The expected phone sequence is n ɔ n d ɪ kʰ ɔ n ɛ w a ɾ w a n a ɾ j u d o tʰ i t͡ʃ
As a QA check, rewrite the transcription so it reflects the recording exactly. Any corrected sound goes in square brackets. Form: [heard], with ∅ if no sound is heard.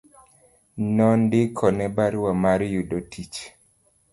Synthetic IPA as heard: n ɔ n d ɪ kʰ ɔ n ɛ [b] a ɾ w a [m] a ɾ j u d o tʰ i t͡ʃ